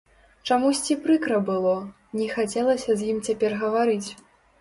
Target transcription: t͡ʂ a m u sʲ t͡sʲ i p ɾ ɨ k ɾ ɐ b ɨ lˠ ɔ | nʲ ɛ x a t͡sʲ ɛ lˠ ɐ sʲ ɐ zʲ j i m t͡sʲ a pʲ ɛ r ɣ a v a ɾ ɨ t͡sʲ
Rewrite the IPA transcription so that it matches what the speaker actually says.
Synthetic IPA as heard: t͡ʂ a m u sʲ t͡sʲ i p ɾ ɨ k ɾ ɐ b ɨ lˠ ɔ | nʲ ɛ x a t͡sʲ ɛ lˠ ɐ sʲ ɐ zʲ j i m t͡sʲ a pʲ ɛ r ɣ ɐ v a ɾ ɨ t͡sʲ